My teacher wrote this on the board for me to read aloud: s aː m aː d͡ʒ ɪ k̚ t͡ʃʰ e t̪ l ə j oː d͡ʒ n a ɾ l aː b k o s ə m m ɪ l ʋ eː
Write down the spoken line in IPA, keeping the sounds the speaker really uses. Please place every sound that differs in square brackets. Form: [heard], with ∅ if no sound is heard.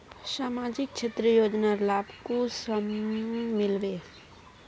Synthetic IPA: s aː m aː d͡ʒ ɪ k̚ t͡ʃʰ e t̪ [ɾ] ə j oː d͡ʒ n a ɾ l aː b k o s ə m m ɪ l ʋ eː